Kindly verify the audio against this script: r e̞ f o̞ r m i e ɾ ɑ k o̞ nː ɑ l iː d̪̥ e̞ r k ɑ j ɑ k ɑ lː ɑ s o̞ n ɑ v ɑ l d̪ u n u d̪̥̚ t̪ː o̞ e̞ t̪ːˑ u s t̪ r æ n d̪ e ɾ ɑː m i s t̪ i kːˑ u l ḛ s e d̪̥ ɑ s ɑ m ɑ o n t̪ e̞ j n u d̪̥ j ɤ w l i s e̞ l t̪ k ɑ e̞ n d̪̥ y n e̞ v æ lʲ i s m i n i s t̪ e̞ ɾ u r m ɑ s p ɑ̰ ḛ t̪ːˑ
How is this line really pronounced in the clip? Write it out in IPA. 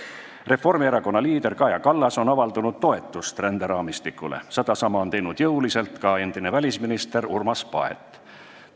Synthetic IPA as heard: r e̞ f o̞ r m i e ɾ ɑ k o̞ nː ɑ l iː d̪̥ e̞ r k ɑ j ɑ k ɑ lː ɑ s o̞ n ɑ v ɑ l d̪ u n u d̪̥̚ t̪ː o̞ e̞ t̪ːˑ u s t̪ r æ n d̪ e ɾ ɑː m i s t̪ i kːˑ u l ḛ s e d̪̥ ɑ s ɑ m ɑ o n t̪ e̞ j n u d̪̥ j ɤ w l i s e̞ l t̪ k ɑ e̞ n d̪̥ i n e̞ v æ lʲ i s m i n i s t̪ e̞ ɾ u r m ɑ s p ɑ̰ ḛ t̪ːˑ